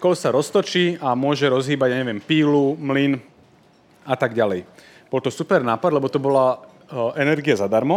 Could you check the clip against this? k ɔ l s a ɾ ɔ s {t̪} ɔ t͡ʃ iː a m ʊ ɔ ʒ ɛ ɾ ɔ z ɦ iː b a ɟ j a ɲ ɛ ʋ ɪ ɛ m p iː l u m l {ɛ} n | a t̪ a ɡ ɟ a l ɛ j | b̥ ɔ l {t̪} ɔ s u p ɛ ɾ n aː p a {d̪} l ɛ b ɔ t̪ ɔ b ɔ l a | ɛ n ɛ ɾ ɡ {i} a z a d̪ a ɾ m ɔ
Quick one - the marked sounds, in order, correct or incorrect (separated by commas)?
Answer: correct, incorrect, correct, correct, correct